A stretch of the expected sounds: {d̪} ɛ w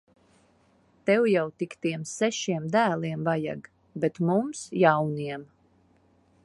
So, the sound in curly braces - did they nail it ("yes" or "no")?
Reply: no